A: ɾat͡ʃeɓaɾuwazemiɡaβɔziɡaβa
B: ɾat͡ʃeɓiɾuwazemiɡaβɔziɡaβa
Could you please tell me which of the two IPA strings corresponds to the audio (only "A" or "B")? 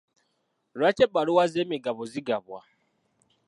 A